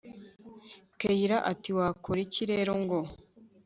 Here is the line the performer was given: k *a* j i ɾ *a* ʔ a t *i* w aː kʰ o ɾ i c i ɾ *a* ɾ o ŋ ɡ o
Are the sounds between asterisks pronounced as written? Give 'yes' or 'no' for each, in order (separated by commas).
no, yes, yes, no